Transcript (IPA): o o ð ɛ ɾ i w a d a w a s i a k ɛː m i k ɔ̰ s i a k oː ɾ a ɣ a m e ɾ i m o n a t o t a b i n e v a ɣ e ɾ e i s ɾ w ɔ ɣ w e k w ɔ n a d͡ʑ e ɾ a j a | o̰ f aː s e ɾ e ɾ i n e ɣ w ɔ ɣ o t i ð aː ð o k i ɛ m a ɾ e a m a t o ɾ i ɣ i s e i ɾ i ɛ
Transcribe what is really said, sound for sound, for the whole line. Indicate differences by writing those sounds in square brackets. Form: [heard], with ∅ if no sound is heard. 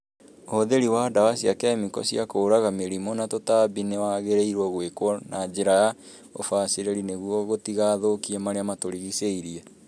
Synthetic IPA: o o ð [e] ɾ i w a d a w a s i a k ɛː m i k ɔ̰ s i a k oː ɾ a ɣ a m e ɾ i m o n a t o t a b i n e [w] a ɣ e ɾ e i [∅] ɾ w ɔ ɣ w e k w ɔ n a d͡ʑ e ɾ a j a | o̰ f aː s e ɾ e ɾ i n e ɣ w ɔ ɣ o t i [ɣ] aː ð o k i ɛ m a ɾ e a m a t o ɾ i ɣ i s e i ɾ i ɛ